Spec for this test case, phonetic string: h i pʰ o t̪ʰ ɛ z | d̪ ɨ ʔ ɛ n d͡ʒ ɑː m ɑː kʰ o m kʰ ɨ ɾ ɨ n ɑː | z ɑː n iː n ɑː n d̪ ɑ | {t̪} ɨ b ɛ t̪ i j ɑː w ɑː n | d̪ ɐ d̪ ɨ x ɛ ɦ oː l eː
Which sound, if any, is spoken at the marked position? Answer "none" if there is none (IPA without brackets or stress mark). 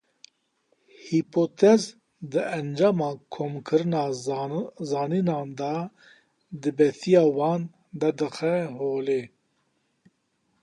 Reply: d̪